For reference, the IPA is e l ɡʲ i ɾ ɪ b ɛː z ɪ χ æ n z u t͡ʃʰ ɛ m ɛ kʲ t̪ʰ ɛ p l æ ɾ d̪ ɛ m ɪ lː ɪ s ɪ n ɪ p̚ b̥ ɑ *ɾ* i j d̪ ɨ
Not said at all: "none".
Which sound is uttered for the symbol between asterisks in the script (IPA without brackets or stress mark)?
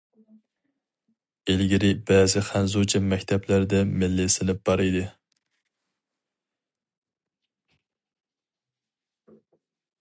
ɾ